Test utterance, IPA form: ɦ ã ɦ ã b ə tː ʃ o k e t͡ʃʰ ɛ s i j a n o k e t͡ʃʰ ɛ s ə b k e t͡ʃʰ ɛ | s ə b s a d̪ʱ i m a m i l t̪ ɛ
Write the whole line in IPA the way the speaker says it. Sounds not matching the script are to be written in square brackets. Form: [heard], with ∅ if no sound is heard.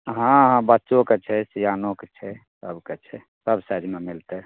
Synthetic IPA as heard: ɦ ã ɦ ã b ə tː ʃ o k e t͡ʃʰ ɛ s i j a n o k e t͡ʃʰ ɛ s ə b k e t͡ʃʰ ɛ | s ə b s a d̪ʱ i m [e] m i l t̪ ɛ

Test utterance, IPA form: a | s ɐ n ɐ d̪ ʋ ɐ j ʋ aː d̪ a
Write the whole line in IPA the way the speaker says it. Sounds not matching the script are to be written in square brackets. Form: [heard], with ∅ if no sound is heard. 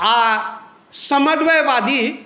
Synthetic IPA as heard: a | s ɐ [m] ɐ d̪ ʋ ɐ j ʋ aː d̪ [i]

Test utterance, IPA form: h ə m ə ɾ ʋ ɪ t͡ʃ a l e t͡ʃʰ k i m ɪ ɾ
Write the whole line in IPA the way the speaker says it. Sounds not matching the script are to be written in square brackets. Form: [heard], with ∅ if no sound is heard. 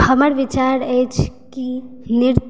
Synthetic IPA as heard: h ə m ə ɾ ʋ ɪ t͡ʃ a [ɾ] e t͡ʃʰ k i [n] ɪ ɾ

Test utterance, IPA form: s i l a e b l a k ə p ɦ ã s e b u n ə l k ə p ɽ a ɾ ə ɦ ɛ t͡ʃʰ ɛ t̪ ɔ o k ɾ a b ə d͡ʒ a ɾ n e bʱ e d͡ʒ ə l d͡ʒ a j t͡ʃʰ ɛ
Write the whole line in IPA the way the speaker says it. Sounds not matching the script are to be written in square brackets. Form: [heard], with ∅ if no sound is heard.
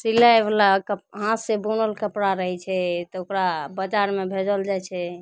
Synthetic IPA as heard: s i l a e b l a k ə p ɦ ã s e b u n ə l k ə p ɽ a ɾ ə ɦ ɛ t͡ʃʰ ɛ t̪ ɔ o k ɾ a b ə d͡ʒ a ɾ [m] e bʱ e d͡ʒ ə l d͡ʒ a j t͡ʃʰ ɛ

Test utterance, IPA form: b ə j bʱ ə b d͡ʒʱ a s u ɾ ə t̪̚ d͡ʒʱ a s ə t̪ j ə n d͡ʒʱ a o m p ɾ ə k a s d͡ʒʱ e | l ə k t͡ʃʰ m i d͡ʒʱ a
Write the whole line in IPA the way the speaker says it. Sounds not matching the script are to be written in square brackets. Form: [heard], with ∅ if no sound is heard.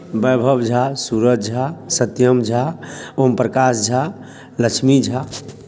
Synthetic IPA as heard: b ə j bʱ ə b d͡ʒʱ a s u ɾ ə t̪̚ d͡ʒʱ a s ə t̪ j ə [m] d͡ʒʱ a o m p ɾ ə k a s d͡ʒʱ [a] | l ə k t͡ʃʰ m i d͡ʒʱ a

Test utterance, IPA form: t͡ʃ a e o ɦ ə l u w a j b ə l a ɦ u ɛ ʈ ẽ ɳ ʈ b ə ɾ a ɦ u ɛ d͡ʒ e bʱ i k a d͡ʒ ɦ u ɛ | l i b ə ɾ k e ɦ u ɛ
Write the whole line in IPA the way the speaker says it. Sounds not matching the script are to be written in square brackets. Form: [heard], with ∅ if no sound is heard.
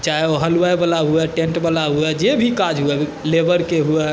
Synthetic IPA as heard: t͡ʃ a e o ɦ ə l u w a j b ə l a ɦ u ɛ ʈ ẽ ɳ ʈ b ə [l] a ɦ u ɛ d͡ʒ e bʱ i k a d͡ʒ ɦ u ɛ | l [e] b ə ɾ k e ɦ u ɛ

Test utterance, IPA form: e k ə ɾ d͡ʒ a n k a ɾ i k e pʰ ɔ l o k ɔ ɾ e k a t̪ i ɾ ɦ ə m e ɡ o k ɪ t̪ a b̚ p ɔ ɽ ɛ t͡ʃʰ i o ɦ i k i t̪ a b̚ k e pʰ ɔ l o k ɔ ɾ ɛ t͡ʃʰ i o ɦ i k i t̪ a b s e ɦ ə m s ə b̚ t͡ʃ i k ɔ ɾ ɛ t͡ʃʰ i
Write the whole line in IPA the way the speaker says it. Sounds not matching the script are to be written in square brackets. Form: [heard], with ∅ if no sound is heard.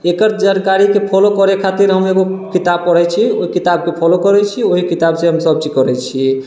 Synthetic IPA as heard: e k ə ɾ d͡ʒ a n k a ɾ i k e pʰ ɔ l o k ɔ ɾ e [kʰ] a t̪ i ɾ ɦ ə m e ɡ o k [i] t̪ a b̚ p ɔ ɽ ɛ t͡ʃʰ i o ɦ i k i t̪ a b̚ k e pʰ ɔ l o k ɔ ɾ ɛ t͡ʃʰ i o ɦ i k i t̪ a b s e ɦ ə m s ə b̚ t͡ʃ i k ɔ ɾ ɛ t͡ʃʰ i

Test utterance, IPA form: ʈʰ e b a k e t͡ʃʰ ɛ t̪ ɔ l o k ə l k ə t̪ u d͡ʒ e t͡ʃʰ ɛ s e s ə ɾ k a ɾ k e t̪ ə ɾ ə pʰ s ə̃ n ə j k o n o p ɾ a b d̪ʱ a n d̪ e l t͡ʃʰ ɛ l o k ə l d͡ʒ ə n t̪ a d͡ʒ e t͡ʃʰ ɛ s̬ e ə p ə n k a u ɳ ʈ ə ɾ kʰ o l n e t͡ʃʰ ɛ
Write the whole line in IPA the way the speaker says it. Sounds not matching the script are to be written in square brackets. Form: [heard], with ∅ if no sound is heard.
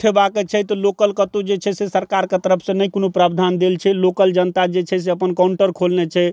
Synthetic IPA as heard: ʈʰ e b a k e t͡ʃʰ ɛ t̪ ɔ l o k ə l k ə t̪ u d͡ʒ e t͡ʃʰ ɛ s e s ə ɾ k a ɾ k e t̪ ə ɾ ə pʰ s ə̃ n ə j k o n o p ɾ a b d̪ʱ a n d̪ e l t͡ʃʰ ɛ l o k ə l d͡ʒ ə n t̪ a d͡ʒ e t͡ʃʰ ɛ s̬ e ə p ə n k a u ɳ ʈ ə ɾ kʰ o l n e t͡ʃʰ ɛ

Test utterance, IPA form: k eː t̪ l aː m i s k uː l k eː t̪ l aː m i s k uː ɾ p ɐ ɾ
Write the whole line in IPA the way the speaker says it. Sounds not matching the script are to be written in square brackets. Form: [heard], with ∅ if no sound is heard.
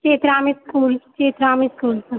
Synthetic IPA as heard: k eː t̪ [ɾ] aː m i s k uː l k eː t̪ [ɾ] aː m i s k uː [l] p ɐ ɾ

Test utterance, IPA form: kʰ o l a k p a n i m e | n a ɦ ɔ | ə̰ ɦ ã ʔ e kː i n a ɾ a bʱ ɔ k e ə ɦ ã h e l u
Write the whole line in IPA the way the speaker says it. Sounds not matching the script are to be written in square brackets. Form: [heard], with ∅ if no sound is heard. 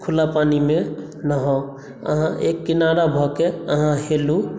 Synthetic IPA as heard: kʰ [u] l a [∅] p a n i m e | n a ɦ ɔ | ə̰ ɦ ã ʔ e kː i n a ɾ a bʱ ɔ k e ə ɦ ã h e l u

